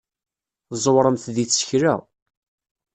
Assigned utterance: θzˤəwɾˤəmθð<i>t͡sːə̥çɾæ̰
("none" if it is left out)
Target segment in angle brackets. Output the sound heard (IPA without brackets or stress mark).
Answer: i